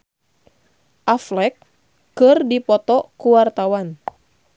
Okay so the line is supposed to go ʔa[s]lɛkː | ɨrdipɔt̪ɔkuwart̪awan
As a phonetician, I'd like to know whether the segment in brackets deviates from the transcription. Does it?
yes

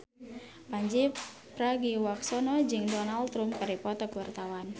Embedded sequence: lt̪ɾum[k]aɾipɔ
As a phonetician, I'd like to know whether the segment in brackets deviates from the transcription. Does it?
no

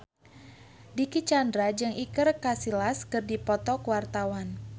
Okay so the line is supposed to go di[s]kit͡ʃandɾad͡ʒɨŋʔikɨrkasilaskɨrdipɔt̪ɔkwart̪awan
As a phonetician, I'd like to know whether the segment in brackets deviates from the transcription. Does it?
yes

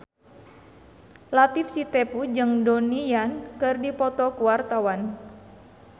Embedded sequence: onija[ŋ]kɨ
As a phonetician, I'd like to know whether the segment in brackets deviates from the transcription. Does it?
yes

